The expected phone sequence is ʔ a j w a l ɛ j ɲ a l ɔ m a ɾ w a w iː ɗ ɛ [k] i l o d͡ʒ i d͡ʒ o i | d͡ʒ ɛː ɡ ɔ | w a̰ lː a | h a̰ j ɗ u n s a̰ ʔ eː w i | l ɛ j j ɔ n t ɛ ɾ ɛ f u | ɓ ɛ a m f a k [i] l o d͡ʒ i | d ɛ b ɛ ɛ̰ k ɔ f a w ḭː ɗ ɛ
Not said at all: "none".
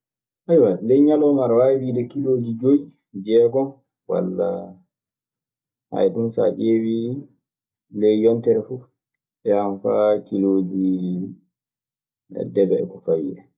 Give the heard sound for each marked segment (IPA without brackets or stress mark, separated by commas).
k, i